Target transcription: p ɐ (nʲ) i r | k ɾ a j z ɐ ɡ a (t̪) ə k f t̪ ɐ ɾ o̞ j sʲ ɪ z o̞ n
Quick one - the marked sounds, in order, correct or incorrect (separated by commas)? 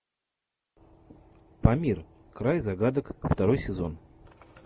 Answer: incorrect, incorrect